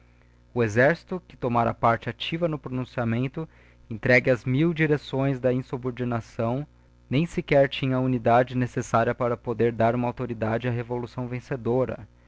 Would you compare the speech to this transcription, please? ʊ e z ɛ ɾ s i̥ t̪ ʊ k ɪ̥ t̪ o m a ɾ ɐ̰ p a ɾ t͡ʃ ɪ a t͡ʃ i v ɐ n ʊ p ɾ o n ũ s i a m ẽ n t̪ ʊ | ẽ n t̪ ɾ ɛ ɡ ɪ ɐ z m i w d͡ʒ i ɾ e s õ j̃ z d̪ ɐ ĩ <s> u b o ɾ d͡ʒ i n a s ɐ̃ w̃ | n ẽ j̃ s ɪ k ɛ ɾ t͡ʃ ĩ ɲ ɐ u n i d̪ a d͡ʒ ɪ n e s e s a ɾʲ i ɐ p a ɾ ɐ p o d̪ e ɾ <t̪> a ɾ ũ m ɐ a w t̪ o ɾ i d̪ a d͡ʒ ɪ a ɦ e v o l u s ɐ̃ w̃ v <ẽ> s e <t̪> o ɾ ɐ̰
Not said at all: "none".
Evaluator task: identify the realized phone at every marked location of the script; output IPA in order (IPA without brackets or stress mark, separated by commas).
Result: s, d̪, ẽ, d̪